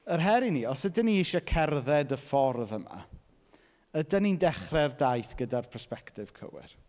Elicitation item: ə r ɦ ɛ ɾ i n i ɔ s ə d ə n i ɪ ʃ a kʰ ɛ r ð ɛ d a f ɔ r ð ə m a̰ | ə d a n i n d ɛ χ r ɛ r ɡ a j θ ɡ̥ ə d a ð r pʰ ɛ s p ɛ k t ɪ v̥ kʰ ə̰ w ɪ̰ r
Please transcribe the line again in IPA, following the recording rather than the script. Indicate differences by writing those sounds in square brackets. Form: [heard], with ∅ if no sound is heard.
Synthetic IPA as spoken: ə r ɦ ɛ ɾ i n i ɔ s ə d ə n i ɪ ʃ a kʰ ɛ r ð ɛ d [ə] f ɔ r ð ə m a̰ | ə d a n i n d ɛ χ r ɛ r [d] a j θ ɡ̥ ə d a [∅] r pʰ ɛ s p ɛ k t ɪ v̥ kʰ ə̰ w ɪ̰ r